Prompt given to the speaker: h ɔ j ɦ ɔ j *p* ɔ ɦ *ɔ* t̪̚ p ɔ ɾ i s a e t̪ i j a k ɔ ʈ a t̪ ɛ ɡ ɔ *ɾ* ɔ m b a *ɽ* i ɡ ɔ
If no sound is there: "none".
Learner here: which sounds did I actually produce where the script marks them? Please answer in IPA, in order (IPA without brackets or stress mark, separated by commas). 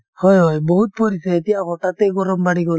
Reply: b, u, ɾ, ɽ